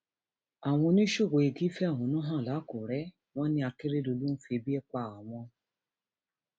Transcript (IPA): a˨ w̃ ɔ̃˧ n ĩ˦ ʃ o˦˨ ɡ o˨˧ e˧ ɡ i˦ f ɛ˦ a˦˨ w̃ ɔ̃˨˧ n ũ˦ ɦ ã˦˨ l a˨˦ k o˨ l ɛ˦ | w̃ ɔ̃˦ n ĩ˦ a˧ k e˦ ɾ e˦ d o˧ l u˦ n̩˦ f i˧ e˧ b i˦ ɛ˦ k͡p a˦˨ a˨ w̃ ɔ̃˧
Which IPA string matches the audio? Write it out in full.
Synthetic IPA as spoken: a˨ w̃ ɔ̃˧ n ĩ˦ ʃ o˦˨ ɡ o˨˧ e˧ ɡ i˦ f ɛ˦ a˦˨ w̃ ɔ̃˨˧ n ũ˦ ɦ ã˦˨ l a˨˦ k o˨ ɾ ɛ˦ | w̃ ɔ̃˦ n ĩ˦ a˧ k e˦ ɾ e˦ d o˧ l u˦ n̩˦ f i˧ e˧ b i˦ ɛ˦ k͡p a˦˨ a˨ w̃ ɔ̃˧